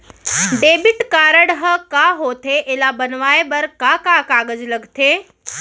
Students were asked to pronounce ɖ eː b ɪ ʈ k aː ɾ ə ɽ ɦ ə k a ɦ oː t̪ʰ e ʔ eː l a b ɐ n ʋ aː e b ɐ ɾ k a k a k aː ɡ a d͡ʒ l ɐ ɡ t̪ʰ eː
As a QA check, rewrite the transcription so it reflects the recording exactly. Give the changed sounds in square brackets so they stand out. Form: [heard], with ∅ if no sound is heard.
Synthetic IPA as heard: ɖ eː b ɪ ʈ k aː ɾ ə ɽ ɦ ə k a ɦ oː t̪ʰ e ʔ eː l a b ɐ n ʋ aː e b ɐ ɾ k a k a k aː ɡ [ə] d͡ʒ l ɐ ɡ t̪ʰ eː